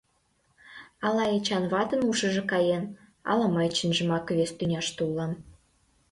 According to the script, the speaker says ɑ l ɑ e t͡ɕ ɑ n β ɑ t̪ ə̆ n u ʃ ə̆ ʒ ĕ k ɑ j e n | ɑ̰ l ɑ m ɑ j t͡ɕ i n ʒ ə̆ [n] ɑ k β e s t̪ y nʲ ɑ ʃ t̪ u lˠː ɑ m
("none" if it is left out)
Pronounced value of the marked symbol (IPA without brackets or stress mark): m